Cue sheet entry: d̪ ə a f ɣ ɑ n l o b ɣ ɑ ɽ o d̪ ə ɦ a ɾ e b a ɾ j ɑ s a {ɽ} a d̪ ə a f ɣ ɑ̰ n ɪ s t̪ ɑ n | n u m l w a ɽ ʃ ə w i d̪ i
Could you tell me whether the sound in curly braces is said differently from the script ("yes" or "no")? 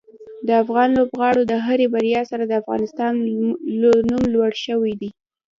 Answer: yes